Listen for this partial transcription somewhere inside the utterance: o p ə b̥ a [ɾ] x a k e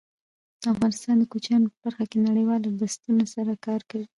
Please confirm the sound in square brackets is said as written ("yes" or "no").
yes